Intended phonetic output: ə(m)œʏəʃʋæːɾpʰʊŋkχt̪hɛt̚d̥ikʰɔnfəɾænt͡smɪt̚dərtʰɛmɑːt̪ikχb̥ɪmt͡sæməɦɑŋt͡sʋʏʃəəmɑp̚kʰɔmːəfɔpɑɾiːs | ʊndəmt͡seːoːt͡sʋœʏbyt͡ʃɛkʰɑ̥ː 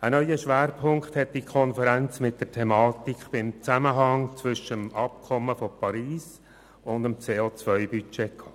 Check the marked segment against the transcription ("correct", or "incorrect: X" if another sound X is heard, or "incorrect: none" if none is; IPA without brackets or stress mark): incorrect: n